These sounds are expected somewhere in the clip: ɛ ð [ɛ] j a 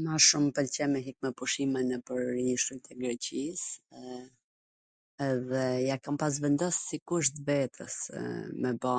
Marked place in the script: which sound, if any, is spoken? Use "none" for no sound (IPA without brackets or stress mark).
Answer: ɛ